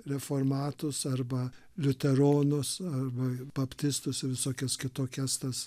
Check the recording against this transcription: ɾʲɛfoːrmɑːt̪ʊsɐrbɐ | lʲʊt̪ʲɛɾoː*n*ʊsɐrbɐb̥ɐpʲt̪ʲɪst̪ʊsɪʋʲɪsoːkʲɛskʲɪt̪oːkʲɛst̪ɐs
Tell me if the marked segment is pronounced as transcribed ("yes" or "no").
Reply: yes